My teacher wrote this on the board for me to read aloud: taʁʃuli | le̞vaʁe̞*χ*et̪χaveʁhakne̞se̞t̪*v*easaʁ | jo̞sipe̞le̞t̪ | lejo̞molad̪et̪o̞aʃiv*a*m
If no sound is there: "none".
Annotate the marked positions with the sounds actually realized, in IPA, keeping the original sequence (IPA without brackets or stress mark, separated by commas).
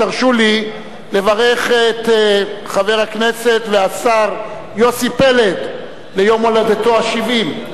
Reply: χ, v, i